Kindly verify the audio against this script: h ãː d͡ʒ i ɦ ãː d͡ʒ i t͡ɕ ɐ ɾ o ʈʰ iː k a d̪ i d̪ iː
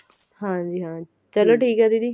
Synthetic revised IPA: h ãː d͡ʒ i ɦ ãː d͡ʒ i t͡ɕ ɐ l o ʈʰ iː k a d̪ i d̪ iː